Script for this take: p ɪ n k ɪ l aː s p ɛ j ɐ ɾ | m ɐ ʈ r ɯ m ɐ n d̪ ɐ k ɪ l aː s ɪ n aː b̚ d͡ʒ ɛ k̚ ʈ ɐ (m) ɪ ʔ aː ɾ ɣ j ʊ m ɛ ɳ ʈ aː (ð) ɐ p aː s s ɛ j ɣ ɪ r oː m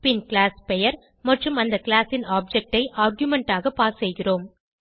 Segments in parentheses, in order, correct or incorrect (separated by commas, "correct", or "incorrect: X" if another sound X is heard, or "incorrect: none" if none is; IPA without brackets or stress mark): incorrect: none, incorrect: ɣ